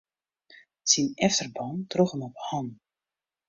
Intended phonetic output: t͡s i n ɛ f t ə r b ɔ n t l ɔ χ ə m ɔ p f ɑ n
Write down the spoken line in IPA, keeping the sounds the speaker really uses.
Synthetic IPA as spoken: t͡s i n ɛ f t ə r b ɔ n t r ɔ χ ə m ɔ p h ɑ n